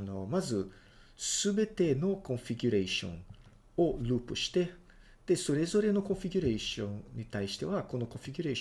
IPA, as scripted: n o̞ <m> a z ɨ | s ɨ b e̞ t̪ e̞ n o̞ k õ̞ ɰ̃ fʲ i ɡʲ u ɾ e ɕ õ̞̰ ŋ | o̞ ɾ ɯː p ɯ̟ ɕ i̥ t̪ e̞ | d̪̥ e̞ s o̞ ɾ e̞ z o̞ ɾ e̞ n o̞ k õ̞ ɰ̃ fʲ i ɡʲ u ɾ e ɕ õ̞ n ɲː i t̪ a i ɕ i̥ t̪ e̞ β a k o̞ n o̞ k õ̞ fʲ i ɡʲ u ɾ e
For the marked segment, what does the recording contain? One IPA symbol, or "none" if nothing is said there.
m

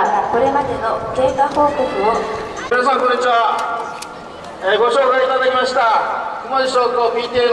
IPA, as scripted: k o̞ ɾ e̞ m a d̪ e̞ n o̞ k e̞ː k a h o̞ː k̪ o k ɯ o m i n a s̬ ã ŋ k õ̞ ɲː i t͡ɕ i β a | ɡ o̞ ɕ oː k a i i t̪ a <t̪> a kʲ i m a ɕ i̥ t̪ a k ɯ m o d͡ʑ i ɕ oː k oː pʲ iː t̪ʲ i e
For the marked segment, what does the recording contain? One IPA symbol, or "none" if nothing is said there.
d̪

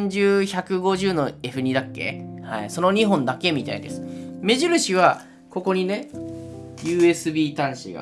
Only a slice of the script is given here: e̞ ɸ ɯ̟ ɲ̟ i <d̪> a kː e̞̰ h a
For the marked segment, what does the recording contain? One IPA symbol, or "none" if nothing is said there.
d̪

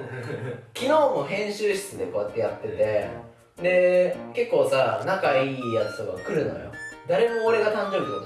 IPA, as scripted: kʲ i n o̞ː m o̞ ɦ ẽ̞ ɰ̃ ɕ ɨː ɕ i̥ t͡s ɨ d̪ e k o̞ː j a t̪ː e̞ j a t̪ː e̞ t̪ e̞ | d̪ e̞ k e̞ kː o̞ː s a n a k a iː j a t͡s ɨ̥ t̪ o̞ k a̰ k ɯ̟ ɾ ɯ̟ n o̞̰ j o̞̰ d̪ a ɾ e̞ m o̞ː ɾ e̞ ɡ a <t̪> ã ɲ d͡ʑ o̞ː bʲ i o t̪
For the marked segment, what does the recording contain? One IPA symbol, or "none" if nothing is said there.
t̪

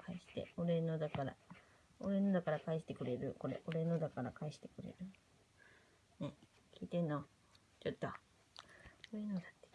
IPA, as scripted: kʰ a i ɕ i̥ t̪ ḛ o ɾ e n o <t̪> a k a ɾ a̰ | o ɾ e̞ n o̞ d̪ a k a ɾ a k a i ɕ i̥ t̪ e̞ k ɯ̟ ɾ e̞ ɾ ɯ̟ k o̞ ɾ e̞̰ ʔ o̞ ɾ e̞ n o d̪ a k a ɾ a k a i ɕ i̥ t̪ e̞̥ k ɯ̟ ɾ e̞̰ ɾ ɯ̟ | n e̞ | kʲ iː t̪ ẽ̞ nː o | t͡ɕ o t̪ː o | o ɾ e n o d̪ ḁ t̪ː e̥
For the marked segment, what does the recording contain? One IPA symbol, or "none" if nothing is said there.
d̪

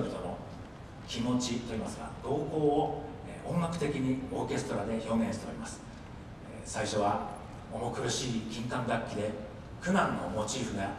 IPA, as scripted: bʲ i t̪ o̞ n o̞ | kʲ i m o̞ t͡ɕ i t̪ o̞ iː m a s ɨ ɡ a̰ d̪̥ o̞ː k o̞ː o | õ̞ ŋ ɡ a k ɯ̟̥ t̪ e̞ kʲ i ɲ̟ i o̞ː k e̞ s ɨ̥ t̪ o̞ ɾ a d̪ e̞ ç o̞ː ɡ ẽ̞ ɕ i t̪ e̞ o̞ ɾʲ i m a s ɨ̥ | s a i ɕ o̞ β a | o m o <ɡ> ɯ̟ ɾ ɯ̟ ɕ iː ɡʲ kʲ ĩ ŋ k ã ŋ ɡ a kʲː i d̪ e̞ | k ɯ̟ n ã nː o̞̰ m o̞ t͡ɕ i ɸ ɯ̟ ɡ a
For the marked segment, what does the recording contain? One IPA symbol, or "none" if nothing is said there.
k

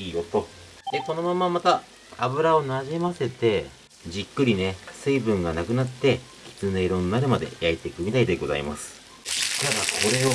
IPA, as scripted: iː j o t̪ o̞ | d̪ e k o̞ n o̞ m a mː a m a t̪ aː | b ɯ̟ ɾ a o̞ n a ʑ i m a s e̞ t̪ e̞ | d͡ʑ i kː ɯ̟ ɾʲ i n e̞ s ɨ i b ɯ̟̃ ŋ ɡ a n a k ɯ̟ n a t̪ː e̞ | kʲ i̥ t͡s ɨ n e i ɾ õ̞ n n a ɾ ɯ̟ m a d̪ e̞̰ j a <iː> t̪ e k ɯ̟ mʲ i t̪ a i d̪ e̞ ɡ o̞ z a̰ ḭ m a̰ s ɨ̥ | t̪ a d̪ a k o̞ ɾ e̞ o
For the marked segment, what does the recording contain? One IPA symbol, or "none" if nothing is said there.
i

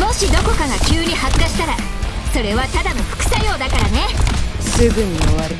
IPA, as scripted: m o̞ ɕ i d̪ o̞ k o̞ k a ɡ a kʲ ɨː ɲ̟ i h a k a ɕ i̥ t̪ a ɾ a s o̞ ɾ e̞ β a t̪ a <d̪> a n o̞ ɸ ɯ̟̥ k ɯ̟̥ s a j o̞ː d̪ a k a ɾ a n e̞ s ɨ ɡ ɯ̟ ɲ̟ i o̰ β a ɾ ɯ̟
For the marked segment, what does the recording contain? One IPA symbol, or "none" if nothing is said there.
d̪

